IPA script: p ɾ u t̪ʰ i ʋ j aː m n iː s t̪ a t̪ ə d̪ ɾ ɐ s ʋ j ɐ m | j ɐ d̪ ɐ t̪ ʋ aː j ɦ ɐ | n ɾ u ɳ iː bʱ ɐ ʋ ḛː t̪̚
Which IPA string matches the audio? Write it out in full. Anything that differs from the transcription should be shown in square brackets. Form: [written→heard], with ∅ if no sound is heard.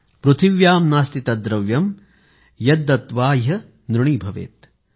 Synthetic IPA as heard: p ɾ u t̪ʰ i ʋ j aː m n [iː→aː] s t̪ [a→i] t̪ [ə→ɐ] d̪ ɾ ɐ [s→∅] ʋ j ɐ m | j ɐ d̪ ɐ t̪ ʋ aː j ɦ ɐ | n ɾ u ɳ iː bʱ ɐ ʋ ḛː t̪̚

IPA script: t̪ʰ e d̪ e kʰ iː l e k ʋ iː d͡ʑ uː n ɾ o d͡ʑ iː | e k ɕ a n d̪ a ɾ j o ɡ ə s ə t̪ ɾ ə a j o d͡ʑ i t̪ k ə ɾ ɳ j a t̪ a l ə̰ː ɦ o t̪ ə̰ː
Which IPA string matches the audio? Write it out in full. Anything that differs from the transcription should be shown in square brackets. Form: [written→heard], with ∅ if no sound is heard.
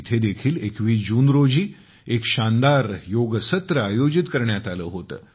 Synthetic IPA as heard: t̪ʰ e d̪ e kʰ iː l e k ʋ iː d͡ʑ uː n ɾ o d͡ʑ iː | e k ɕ a n d̪ a ɾ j o ɡ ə s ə t̪ ɾ ə a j o d͡ʑ i t̪ k ə ɾ ɳ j a t̪ a l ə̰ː ɦ o t̪ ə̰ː

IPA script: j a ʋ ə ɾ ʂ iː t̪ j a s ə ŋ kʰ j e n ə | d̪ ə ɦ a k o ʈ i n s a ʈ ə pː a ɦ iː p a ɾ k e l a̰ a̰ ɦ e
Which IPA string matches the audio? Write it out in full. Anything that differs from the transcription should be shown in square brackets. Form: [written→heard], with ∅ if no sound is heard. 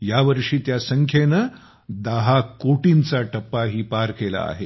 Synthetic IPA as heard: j a ʋ ə ɾ ʂ iː t̪ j a s ə ŋ kʰ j e n ə | d̪ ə ɦ a k o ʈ i n [s→t͡s] a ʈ ə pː a ɦ iː p a ɾ k e l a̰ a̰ ɦ e

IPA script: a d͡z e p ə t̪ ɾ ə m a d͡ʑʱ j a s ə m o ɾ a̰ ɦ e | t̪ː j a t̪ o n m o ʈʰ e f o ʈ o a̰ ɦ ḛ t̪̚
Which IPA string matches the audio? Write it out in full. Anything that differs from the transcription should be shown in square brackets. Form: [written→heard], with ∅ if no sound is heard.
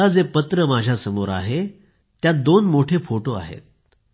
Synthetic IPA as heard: a d͡z e p ə t̪ ɾ ə m a d͡ʑʱ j a s ə m o ɾ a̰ ɦ e | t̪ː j a [t̪→d̪] o n m o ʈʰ e f o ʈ o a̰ ɦ ḛ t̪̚

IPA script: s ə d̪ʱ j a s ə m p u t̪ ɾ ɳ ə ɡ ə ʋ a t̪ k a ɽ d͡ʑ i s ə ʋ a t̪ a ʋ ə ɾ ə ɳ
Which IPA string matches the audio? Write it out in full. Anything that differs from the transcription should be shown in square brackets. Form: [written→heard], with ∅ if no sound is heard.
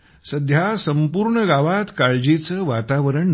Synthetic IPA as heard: s ə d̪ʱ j a s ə m p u [t̪→∅] ɾ ɳ ə ɡ [ə→a] ʋ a t̪ k a [ɽ→ɭ] d͡ʑ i [s→t͡s] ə ʋ a t̪ a ʋ ə ɾ ə ɳ

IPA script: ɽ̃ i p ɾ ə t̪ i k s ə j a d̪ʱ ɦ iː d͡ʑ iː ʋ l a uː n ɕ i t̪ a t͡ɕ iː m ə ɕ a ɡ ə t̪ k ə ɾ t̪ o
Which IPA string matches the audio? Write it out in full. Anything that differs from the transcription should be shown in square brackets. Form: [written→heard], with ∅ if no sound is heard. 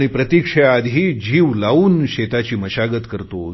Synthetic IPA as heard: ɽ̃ i p ɾ ə t̪ i k [s→ʂ] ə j a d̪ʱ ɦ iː d͡ʑ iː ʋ l a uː n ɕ [i→e] t̪ a t͡ɕ iː m ə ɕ a ɡ ə t̪ k ə ɾ t̪ o

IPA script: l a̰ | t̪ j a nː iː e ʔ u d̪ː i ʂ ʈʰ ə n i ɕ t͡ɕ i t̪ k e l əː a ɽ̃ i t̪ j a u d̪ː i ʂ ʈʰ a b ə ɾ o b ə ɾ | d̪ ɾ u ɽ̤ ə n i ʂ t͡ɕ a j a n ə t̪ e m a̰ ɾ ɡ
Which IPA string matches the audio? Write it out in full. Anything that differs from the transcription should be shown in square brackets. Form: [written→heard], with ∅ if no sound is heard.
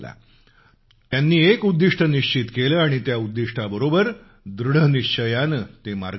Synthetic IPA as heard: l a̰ | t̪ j a nː iː e [ʔ→k] u d̪ː i ʂ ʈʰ ə n i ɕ t͡ɕ i t̪ k e l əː a ɽ̃ i t̪ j a u d̪ː i ʂ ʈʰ a b ə ɾ o b ə ɾ | d̪ ɾ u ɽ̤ ə n i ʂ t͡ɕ [a→ə] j a n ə t̪ e m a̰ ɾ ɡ

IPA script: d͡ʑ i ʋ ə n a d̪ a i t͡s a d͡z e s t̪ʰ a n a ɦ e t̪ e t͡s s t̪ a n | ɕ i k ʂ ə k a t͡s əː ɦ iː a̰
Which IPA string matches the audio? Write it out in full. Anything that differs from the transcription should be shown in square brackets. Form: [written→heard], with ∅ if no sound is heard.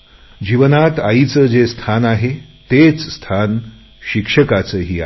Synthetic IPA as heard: d͡ʑ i ʋ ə n a [d̪→t̪] a i t͡s [a→ə] d͡z e s t̪ʰ a n a ɦ e t̪ e t͡s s [t̪→t̪ʰ] a n | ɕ i k ʂ ə k a t͡s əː ɦ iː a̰

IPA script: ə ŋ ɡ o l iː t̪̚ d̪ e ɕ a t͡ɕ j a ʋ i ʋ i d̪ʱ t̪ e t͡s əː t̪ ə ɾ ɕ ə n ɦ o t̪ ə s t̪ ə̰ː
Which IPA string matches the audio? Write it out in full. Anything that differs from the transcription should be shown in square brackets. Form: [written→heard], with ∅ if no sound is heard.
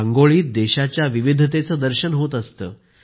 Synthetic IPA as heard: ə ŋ ɡ o [l→ɭ] iː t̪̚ d̪ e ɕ a t͡ɕ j a ʋ i ʋ i d̪ʱ t̪ e t͡s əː [t̪→d̪] ə ɾ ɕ ə n ɦ o t̪ ə s t̪ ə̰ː

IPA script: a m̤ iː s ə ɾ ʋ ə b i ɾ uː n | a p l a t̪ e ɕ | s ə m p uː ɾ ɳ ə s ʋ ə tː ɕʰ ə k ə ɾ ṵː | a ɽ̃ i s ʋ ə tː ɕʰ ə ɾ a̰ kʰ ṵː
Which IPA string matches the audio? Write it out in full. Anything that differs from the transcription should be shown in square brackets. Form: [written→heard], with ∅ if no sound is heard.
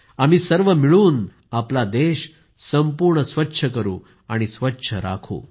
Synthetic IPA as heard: a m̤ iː s ə ɾ ʋ ə [b→m] i [ɾ→ɭ] uː n | a p l a [t̪→d̪] e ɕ | s ə m p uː ɾ ɳ ə s ʋ ə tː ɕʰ ə k ə ɾ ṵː | a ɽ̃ i s ʋ ə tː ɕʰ ə ɾ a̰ kʰ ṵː

